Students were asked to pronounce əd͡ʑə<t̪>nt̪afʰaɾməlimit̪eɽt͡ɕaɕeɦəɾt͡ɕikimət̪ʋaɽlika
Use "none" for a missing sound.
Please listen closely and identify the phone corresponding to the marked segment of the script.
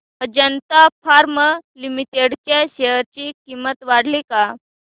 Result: none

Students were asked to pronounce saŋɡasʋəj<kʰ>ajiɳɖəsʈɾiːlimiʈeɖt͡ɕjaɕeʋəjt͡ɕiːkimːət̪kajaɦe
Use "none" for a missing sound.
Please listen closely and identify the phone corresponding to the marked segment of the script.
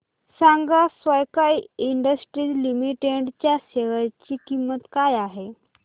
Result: k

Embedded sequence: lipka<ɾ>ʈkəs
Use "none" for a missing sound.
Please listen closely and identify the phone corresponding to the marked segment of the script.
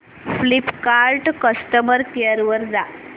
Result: ɾ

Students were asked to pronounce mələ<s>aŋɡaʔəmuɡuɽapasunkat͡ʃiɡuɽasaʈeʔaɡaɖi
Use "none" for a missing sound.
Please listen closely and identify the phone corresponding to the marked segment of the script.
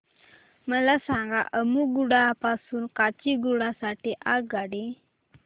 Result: s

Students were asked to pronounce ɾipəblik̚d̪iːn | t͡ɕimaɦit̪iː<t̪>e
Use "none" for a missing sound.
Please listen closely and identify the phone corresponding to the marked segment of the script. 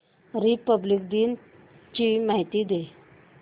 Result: d̪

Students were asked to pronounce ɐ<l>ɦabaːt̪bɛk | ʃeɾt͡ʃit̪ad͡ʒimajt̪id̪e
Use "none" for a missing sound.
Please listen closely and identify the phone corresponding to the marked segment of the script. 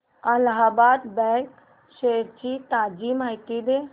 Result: l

